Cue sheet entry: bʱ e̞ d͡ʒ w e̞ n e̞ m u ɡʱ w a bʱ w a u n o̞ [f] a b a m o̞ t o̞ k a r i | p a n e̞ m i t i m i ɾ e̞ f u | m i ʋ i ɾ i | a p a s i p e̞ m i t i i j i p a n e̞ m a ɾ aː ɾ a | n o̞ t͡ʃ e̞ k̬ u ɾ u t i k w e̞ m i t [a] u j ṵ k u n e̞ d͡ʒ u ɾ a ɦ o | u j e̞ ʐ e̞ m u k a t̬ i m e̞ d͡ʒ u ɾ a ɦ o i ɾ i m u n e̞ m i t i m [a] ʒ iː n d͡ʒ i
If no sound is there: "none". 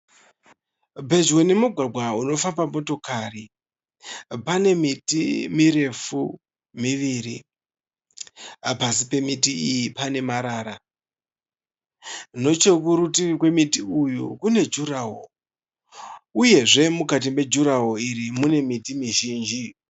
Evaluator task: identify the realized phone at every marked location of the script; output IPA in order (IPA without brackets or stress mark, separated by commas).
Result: f, i, i